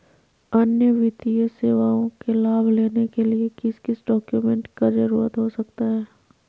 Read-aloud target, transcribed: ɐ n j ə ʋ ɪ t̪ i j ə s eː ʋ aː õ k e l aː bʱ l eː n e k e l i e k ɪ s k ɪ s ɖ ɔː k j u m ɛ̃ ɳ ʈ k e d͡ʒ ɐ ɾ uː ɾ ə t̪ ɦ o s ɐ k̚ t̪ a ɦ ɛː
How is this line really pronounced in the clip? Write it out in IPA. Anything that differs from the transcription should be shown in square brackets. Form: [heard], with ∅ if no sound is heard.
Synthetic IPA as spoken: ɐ n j ə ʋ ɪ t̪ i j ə s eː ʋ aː õ k e l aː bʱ l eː n e k e l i e k ɪ s k ɪ s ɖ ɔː k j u m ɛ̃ ɳ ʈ k [a] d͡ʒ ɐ ɾ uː ɾ ə t̪ ɦ o s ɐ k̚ t̪ a ɦ ɛː